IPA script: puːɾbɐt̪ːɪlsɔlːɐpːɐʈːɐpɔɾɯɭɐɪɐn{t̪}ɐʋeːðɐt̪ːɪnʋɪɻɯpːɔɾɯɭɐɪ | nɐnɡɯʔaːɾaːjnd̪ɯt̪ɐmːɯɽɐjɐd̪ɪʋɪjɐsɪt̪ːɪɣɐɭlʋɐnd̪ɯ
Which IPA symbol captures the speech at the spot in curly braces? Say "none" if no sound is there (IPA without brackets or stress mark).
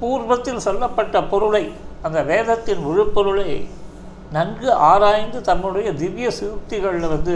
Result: d̪